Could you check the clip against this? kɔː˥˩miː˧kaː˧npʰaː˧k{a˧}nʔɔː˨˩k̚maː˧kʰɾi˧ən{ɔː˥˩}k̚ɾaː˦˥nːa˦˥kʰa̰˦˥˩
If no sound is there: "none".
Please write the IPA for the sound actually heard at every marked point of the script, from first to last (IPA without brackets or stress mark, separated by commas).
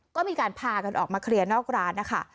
a˧, ɔː˥˩